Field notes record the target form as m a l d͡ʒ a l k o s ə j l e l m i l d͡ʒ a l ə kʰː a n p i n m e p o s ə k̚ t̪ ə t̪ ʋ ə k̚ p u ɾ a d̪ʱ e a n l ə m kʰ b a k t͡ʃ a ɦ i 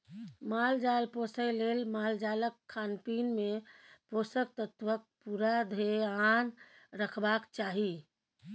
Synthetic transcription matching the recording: m a l d͡ʒ a l p o s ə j l e l m a l d͡ʒ a l ə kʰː a n p i n m e p o s ə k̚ t̪ ə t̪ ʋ ə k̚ p u ɾ a d̪ʱ e a n ɾ ə kʰ b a k t͡ʃ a ɦ i